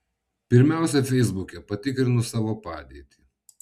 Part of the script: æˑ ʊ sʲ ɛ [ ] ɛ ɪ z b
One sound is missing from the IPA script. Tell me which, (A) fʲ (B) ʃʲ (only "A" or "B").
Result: A